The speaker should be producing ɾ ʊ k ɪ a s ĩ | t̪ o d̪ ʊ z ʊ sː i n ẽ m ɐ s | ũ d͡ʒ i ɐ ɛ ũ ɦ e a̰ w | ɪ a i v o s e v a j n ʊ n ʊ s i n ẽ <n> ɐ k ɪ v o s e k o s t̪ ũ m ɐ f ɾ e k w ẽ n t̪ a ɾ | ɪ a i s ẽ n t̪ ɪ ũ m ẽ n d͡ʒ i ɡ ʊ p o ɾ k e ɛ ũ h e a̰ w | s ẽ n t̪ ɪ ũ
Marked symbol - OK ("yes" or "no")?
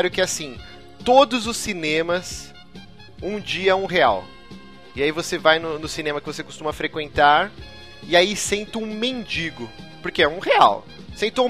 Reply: no